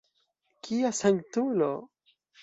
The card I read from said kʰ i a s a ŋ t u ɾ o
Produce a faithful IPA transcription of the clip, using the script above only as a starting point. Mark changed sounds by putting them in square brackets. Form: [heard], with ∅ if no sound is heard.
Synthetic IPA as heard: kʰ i a s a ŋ t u [l] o

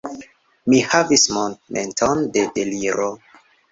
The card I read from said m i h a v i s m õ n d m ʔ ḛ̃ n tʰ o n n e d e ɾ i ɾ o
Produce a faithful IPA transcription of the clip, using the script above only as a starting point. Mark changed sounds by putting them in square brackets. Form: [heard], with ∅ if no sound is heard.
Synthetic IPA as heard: m i h a v i s m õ n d m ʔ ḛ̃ n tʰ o n [d] e d e [l] i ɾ o

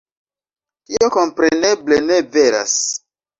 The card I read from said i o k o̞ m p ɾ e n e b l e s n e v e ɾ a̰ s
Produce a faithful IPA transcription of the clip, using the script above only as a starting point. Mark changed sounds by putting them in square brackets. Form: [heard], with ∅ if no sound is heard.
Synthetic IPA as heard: i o k o̞ m p ɾ e n e b l e [∅] n e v e ɾ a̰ s

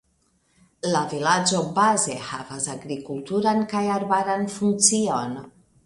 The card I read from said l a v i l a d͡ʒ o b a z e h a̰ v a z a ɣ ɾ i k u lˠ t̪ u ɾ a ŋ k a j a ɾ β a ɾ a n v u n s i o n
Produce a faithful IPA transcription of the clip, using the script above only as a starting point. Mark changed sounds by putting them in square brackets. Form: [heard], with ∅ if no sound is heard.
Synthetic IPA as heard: l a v i l a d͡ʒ o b a z e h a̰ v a z a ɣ ɾ i k u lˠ t̪ u ɾ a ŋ k a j a ɾ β a ɾ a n [f] u n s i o n

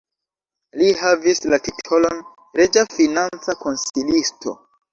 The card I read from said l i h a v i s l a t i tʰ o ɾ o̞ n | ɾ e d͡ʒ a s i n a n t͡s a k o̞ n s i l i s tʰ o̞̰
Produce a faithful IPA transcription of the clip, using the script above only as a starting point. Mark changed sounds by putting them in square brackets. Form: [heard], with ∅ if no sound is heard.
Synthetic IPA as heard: l i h a v i s l a t i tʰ o [l] o̞ n | ɾ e d͡ʒ a [f] i n a n t͡s a k o̞ n s i l i s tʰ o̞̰

